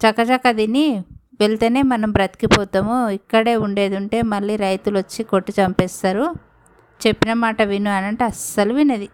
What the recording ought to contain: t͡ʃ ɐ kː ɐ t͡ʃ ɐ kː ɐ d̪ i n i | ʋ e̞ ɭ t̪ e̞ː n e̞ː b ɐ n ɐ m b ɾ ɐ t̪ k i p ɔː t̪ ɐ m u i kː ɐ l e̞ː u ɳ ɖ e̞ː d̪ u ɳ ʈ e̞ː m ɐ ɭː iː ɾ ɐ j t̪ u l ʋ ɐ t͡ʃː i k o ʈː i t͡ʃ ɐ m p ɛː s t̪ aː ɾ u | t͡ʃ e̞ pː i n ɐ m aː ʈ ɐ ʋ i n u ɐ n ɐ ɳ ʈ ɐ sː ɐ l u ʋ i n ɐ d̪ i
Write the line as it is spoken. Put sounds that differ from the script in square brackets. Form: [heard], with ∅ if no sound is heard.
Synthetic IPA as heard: t͡ʃ ɐ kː ɐ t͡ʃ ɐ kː ɐ d̪ i n i | ʋ e̞ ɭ t̪ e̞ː n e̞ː [m] ɐ n ɐ m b ɾ ɐ t̪ k i p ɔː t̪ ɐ m u i kː ɐ [ɽ] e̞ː u ɳ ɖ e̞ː d̪ u ɳ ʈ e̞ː m ɐ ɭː iː ɾ ɐ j t̪ u l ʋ ɐ t͡ʃː i k o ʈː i t͡ʃ ɐ m p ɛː s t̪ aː ɾ u | t͡ʃ e̞ pː i n ɐ m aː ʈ ɐ ʋ i n u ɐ n ɐ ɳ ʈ ɐ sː ɐ l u ʋ i n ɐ d̪ i